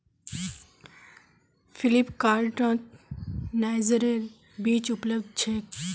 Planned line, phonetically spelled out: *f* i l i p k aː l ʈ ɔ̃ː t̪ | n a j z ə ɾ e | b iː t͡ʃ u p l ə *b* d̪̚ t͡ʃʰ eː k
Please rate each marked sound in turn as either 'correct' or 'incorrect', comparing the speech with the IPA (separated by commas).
correct, correct